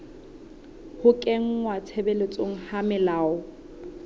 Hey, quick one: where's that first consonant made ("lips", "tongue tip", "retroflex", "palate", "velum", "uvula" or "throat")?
throat